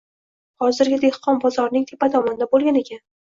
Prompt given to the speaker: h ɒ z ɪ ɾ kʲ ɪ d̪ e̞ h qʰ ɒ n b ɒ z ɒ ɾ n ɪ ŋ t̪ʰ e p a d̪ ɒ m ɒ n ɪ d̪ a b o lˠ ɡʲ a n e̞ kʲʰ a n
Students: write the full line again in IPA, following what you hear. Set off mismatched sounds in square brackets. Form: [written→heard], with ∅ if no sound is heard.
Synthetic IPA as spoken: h ɒ z ɪ ɾ [kʲ→ɡʲ] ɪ d̪ e̞ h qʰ ɒ n b ɒ z ɒ ɾ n ɪ ŋ t̪ʰ e p a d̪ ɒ m ɒ n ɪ d̪ a b o lˠ ɡʲ a n e̞ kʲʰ a n